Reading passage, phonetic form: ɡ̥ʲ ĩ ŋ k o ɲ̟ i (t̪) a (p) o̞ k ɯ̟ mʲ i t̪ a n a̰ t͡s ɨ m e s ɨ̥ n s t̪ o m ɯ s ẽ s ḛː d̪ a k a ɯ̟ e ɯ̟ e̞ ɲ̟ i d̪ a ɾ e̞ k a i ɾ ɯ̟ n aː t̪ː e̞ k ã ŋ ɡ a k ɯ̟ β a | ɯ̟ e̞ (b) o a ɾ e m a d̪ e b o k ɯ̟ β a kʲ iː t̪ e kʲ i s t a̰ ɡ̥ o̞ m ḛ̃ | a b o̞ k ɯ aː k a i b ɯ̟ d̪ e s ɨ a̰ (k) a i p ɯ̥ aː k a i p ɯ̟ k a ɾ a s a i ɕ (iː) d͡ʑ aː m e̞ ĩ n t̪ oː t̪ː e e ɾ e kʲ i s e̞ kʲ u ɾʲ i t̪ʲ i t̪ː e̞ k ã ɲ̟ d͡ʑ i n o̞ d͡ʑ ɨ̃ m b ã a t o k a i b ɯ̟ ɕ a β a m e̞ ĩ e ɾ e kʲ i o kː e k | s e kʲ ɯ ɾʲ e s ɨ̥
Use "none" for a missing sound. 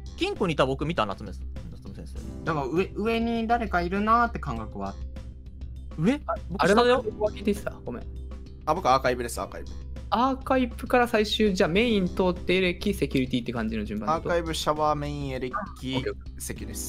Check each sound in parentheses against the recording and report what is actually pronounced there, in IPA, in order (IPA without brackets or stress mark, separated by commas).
t̪, b, b, k, ɨː